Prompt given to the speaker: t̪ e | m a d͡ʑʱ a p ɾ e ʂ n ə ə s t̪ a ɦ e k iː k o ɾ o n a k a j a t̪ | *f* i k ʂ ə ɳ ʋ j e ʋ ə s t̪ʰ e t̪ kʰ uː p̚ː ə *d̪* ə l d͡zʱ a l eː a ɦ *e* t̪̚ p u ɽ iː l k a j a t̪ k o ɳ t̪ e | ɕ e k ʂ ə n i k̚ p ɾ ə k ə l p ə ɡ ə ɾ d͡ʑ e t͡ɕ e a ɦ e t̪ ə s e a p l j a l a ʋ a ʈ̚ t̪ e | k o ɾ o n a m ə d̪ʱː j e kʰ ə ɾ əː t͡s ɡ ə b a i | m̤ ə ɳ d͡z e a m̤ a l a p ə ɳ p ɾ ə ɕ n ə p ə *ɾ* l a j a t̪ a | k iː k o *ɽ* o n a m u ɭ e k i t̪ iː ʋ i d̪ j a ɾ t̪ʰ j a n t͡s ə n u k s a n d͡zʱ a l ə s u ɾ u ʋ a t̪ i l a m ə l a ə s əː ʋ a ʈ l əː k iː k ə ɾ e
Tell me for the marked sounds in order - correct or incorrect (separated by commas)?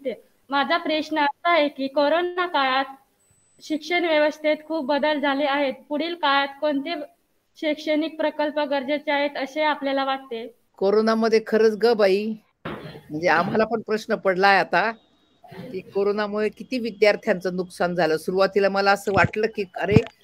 incorrect, correct, correct, incorrect, incorrect